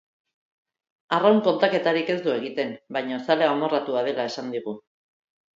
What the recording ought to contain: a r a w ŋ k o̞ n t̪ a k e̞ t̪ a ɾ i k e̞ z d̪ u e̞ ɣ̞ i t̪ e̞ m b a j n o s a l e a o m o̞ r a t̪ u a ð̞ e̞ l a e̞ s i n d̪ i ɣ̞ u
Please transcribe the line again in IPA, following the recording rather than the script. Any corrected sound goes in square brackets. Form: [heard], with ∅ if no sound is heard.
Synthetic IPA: a r a w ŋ k o̞ n t̪ a k e̞ t̪ a ɾ i k e̞ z d̪ u e̞ ɣ̞ i t̪ e̞ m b a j [ɲ] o s a l e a o m o̞ r a t̪ u a ð̞ e̞ l a e̞ s [a] n d̪ i ɣ̞ u